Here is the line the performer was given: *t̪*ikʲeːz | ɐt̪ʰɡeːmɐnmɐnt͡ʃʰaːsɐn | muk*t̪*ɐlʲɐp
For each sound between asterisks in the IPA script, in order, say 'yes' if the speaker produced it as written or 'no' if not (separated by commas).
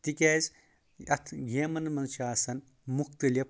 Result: yes, yes